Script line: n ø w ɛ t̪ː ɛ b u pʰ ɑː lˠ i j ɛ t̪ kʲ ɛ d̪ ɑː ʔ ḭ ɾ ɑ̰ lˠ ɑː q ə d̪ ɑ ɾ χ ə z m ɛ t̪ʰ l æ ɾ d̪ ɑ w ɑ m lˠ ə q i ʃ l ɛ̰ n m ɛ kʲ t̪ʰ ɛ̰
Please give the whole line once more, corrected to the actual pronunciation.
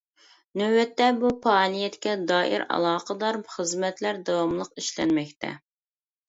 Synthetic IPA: n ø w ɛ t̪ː ɛ b u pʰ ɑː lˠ i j ɛ t̪ kʲ ɛ d̪ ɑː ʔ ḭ ɾ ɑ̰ lˠ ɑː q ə d̪ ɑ ɾ χ ə z m ɛ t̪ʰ l æ ɾ d̪ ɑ w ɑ m lˠ ə q i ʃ l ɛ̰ n m ɛ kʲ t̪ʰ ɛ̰

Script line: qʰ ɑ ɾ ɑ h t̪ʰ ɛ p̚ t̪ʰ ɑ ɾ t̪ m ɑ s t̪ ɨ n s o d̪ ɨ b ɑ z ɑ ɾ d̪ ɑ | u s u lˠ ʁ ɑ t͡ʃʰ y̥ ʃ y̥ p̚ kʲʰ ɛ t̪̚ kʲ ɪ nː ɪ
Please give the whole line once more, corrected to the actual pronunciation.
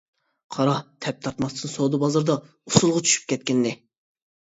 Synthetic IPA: qʰ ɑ ɾ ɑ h t̪ʰ ɛ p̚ t̪ʰ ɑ ɾ t̪ m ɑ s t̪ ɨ n s o d̪ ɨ b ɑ z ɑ ɾ d̪ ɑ | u s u lˠ ʁ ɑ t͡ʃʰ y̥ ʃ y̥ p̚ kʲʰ ɛ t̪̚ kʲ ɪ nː ɪ

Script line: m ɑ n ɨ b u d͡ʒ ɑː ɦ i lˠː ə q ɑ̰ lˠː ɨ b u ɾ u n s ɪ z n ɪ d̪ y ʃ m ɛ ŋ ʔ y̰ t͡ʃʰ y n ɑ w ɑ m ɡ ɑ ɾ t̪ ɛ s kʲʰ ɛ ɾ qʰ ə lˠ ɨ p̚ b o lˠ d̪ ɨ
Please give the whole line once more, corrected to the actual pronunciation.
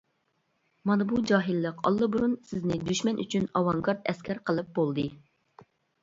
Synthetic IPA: m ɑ n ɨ b u d͡ʒ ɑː ɦ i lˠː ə q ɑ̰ lˠː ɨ b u ɾ u n s ɪ z n ɪ d̪ y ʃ m ɛ n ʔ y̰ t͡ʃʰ y n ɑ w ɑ ŋ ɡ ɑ ɾ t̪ ɛ s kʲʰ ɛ ɾ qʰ ə lˠ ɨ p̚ b o lˠ d̪ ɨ

